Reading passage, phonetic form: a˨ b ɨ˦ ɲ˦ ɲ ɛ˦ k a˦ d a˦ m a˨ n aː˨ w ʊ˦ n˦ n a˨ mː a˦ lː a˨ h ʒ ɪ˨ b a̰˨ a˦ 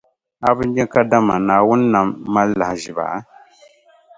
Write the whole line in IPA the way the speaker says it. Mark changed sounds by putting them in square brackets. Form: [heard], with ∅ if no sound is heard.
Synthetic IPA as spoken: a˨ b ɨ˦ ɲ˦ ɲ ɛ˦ k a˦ d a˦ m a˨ n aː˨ w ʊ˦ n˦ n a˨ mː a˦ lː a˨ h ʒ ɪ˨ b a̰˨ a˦